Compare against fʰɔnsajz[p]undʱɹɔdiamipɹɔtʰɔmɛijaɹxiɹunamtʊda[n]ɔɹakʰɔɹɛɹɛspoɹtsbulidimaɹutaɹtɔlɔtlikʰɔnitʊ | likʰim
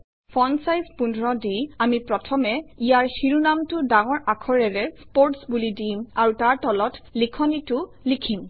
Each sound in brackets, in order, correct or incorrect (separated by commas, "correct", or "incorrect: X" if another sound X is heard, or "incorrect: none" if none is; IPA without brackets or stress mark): correct, incorrect: ŋ